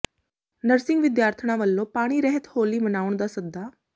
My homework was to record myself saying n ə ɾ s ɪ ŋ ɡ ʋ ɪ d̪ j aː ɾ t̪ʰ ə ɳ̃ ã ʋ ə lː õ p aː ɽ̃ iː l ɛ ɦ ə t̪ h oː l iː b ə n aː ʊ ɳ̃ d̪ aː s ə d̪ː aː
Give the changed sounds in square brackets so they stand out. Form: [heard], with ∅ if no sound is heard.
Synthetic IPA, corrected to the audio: n ə ɾ s ɪ ŋ ɡ ʋ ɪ d̪ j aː ɾ t̪ʰ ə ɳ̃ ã ʋ ə lː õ p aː ɽ̃ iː [ɾ] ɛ ɦ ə t̪ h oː l iː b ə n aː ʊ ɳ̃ d̪ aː s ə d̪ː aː